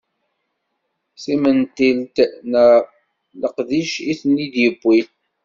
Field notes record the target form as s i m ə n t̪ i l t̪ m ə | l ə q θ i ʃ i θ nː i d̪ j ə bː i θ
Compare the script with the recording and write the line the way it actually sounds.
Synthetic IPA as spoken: s i m ə n t̪ i l t̪ n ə | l ə q ð i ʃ i θ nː i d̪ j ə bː i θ

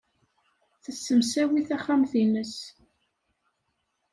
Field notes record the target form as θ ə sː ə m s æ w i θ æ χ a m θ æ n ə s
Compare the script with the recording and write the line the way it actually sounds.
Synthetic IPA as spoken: θ ə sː ə m s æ w i θ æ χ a m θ i n ə s

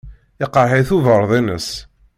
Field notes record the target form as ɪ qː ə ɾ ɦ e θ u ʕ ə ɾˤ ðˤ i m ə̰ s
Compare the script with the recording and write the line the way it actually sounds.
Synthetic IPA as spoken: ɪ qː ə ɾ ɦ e θ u v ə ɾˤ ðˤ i n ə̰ s

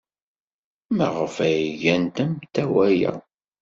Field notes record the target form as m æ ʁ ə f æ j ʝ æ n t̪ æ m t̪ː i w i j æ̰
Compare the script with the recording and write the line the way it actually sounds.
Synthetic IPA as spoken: m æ ʁ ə f æ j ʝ æ n t̪ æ m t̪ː æ w æ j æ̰

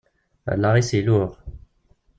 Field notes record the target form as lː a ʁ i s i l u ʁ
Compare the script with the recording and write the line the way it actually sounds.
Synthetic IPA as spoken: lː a ʁ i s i l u ʁ

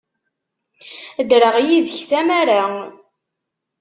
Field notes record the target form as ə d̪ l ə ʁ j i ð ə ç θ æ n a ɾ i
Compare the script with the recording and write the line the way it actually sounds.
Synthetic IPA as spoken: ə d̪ ɾ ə ʁ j i ð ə ç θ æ m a ɾ a

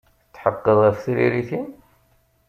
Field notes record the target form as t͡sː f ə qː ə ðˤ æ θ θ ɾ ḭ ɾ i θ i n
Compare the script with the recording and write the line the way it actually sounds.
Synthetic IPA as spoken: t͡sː ħ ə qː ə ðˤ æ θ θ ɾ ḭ ɾ i θ i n

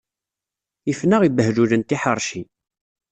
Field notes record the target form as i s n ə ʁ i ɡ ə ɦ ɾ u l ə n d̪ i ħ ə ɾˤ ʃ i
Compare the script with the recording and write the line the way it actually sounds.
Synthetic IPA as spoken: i f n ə ʁ i b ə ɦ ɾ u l ə n t̪ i ħ ə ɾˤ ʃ i

